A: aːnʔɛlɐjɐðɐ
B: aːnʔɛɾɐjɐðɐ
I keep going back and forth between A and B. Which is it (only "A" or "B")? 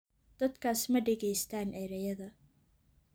B